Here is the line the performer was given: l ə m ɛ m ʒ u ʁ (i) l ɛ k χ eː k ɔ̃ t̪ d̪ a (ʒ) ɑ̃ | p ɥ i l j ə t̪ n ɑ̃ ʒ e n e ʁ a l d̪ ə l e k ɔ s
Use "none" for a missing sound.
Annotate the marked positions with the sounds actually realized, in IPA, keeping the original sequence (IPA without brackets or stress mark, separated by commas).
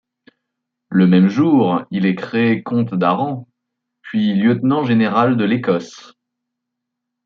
i, ʁ